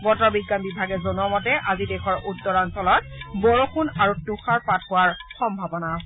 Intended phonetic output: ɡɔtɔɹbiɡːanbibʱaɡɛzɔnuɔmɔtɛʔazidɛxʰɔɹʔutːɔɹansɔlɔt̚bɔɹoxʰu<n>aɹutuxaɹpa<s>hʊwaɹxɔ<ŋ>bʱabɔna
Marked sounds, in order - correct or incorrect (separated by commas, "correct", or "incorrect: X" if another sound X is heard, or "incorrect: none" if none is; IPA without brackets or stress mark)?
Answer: correct, incorrect: t, incorrect: m